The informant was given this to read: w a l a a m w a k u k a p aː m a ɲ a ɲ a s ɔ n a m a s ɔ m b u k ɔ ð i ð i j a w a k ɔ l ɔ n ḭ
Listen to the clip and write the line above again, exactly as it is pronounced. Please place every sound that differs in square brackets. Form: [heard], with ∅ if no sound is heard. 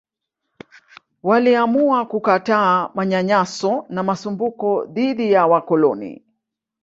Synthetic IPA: w a l [i] a m [u] a k u k a [t] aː m a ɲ a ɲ a s ɔ n a m a s [u] m b u k ɔ ð i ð i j a w a k ɔ l ɔ n ḭ